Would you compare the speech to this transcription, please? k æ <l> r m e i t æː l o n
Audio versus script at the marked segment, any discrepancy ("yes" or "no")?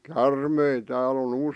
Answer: yes